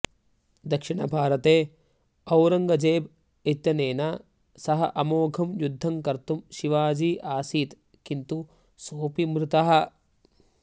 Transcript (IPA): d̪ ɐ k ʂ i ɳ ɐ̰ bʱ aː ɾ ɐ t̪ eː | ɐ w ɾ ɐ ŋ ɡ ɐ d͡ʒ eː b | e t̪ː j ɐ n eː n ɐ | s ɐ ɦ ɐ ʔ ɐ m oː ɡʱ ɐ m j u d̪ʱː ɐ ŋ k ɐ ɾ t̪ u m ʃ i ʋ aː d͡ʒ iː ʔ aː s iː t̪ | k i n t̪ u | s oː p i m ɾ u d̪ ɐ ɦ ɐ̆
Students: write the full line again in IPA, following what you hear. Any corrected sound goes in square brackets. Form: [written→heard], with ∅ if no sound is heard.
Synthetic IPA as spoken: d̪ ɐ k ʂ i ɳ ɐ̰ bʱ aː ɾ ɐ t̪ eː | ɐ w ɾ ɐ ŋ ɡ ɐ d͡ʒ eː b | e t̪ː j ɐ n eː n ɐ | s ɐ ɦ ɐ ʔ ɐ m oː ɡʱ ɐ m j u d̪ʱː ɐ ŋ k ɐ ɾ t̪ u m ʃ i ʋ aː d͡ʒ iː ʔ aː s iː t̪ | k i n t̪ u | s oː p i m ɾ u [d̪→t̪] ɐ ɦ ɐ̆